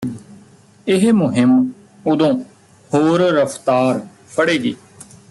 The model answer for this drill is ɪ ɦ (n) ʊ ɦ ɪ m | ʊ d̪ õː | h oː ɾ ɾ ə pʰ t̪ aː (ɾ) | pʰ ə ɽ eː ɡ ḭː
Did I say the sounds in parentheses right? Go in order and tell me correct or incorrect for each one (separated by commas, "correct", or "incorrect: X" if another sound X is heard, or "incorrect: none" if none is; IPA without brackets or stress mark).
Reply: incorrect: m, correct